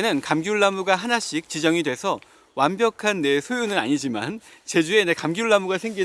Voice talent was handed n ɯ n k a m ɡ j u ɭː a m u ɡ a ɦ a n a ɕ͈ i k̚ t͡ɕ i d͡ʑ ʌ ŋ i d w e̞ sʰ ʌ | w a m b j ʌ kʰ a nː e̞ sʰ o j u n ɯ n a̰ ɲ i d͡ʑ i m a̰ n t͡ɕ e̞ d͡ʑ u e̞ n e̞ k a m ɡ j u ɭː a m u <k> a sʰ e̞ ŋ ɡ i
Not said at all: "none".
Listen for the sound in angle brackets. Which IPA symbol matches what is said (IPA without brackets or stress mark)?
ɡ